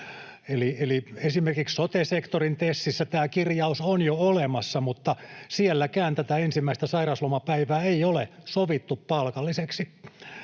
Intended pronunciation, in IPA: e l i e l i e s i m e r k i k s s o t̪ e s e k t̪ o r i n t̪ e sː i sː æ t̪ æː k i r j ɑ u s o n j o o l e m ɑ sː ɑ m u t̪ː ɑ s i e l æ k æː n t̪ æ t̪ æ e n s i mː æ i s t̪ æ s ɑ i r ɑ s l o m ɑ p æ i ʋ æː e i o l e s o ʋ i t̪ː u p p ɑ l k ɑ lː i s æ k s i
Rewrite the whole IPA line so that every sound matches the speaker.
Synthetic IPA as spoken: e l i e l i e s i m e r k i k s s o t̪ e s e k t̪ o r i n t̪ e sː i sː æ t̪ æː k i r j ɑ u s o n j o o l e m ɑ sː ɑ m u t̪ː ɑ s i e lː æ k æː n t̪ æ t̪ æ e n s i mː æ i s t̪ æ s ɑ i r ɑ s l o m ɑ p æ i ʋ æː e i o l e s o ʋ i t̪ː u p p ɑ l k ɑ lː i s e k s i